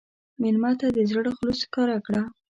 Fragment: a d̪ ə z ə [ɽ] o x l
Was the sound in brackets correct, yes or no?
yes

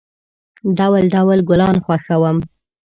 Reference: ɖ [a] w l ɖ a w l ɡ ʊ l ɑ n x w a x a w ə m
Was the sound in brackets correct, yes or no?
yes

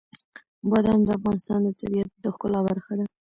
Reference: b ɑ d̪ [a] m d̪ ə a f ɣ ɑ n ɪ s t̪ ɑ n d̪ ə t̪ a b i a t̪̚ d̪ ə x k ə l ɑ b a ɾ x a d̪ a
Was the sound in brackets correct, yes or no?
yes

